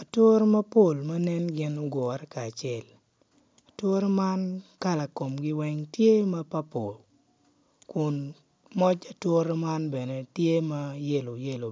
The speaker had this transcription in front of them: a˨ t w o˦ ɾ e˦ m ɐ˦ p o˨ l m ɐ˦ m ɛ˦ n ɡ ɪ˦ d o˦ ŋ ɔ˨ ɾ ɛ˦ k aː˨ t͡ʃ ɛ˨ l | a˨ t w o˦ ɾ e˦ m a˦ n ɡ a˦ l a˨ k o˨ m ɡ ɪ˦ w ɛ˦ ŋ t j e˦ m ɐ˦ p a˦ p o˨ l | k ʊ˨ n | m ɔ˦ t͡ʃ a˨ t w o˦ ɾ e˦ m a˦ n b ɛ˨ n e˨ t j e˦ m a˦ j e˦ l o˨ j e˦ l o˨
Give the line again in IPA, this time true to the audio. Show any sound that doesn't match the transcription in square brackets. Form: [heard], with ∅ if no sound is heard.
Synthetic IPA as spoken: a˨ t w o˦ ɾ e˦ m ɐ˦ p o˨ l m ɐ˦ [n] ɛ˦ n ɡ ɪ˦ [n] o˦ [ɡ] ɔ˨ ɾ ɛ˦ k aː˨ t͡ʃ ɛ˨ l | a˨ t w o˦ ɾ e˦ m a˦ n [k] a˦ l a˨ k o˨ m ɡ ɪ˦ w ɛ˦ ŋ t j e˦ m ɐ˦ p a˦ p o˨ l | k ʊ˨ n | m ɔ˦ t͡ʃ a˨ t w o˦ ɾ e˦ m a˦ n b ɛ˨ n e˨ t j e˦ m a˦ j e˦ l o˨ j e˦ l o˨